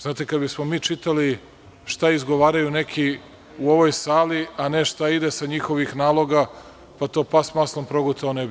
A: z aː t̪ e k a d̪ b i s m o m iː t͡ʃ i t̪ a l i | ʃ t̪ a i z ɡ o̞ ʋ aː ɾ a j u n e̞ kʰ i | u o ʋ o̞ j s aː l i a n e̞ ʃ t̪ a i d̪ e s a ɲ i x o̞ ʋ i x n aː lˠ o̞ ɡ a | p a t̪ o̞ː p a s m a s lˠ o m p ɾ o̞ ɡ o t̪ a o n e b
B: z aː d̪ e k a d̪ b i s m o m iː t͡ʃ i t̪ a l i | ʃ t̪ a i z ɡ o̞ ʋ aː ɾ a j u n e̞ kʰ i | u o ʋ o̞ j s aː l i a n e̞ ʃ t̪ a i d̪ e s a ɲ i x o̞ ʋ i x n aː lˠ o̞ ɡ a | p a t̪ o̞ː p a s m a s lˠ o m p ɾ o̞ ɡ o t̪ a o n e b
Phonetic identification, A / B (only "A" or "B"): A